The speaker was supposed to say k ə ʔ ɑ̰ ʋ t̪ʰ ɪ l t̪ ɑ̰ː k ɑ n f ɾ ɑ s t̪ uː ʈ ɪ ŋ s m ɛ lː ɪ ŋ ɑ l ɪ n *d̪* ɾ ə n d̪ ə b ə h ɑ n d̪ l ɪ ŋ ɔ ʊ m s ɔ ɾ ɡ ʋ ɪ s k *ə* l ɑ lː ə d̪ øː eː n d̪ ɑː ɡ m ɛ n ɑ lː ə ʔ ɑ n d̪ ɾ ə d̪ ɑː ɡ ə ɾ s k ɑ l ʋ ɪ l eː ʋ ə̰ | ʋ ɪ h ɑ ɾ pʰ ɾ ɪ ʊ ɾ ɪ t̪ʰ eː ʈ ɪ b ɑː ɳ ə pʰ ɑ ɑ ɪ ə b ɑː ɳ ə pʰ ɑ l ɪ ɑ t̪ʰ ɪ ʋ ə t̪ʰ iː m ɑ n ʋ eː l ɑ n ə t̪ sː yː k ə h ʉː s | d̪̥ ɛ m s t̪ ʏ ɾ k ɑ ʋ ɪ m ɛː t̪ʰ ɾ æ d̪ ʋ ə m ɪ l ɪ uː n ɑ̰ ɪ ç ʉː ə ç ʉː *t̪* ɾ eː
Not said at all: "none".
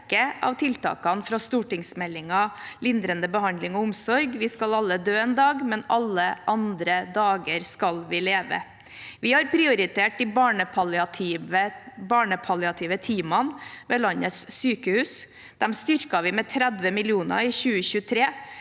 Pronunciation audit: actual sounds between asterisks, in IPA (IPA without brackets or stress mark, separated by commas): d̪, ɑ, t̪ʰ